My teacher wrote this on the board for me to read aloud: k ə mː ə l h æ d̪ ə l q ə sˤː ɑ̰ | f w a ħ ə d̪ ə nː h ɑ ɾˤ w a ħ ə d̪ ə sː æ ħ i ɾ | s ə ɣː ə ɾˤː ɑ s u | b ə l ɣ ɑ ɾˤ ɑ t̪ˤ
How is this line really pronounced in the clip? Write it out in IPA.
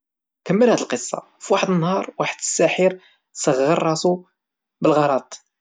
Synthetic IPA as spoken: k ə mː ə l h æ d̪ ə l q ə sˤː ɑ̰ | f w a ħ ə d̪ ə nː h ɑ ɾˤ w a ħ ə d̪ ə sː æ ħ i ɾ | s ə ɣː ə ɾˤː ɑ s u | b ə l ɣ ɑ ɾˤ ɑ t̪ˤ